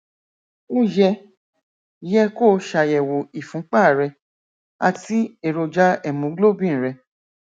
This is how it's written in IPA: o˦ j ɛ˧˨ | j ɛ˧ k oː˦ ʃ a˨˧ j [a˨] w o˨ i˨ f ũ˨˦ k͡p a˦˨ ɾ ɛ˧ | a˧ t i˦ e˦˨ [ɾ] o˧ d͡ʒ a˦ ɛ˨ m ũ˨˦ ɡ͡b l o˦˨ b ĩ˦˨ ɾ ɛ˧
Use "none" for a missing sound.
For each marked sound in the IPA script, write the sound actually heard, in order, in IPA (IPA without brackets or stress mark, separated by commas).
ɛ˨, ɾ